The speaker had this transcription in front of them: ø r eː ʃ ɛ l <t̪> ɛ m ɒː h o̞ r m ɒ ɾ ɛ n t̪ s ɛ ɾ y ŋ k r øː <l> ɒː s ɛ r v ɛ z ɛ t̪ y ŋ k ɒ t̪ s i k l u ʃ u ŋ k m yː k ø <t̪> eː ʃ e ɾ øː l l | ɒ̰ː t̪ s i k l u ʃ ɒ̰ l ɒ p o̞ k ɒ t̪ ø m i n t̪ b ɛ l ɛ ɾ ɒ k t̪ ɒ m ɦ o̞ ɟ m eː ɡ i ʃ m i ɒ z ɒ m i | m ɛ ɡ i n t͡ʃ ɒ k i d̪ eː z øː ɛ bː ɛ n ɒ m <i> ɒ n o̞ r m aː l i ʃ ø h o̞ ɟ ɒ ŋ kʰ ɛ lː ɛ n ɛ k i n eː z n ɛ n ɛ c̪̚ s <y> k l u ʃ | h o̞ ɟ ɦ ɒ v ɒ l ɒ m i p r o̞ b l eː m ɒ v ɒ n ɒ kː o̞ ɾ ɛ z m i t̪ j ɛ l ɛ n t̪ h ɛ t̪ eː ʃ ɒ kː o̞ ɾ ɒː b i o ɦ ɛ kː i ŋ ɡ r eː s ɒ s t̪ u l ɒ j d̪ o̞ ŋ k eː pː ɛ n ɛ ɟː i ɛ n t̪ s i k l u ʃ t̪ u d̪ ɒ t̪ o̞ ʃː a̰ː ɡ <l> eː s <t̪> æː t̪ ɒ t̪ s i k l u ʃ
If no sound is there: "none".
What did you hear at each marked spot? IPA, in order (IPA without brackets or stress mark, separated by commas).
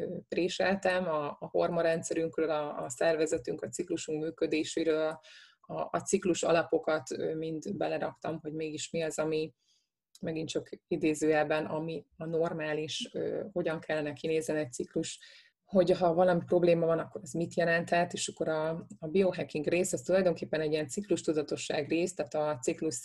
t̪, l, d̪, i, i, r, t̪